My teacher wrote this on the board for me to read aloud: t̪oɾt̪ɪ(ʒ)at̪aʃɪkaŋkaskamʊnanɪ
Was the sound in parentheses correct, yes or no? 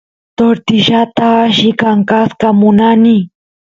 no